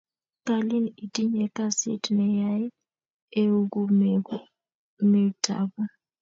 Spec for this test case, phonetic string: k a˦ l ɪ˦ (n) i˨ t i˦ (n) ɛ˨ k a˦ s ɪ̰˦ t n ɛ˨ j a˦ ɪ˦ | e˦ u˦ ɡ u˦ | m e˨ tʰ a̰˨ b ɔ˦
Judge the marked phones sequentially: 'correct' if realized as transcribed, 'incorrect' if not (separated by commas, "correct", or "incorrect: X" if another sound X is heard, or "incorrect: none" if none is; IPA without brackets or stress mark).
correct, incorrect: ɲ